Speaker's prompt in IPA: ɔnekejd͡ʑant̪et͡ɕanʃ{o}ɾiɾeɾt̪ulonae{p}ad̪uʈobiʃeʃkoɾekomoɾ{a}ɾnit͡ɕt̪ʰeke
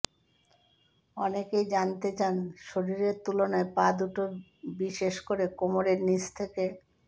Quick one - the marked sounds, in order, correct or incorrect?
correct, correct, incorrect: e

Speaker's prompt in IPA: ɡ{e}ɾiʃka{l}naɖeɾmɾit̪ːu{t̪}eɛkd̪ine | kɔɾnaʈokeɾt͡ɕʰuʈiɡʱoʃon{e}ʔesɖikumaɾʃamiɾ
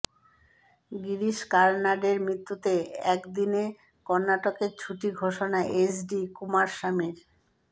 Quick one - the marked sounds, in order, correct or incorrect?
incorrect: i, incorrect: ɾ, correct, incorrect: a

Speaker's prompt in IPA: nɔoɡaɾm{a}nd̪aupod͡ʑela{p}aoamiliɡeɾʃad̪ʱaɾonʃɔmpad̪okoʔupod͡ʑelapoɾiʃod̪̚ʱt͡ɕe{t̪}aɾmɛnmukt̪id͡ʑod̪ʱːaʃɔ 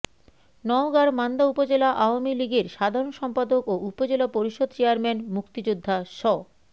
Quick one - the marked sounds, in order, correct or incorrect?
correct, incorrect: ʔ, incorrect: none

